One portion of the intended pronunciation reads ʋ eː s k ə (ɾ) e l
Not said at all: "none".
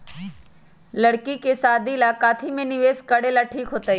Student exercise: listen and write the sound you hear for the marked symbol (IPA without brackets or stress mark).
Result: ɽ